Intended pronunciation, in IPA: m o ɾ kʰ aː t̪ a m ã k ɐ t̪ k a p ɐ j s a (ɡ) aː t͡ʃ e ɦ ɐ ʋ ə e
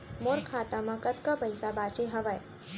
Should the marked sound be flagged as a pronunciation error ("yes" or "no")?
yes